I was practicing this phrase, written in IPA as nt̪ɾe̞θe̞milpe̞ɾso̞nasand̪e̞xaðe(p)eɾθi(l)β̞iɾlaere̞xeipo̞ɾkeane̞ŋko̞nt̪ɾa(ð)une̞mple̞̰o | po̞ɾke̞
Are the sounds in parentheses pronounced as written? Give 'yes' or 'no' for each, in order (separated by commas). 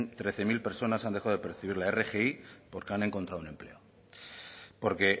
yes, no, yes